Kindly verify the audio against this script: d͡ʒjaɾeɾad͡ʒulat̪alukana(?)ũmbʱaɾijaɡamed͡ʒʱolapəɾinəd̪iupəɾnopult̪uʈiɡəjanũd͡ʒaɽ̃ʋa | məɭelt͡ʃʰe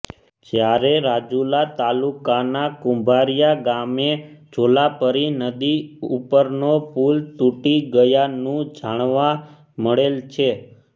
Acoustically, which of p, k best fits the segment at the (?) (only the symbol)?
k